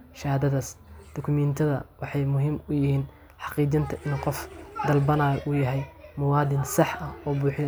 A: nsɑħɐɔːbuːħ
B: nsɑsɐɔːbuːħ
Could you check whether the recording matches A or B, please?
A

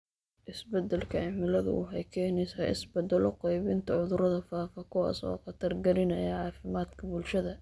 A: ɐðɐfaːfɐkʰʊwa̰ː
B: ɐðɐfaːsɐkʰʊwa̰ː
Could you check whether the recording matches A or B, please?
A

